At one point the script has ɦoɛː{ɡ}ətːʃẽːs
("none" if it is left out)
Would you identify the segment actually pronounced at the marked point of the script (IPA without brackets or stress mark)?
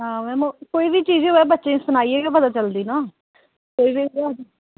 b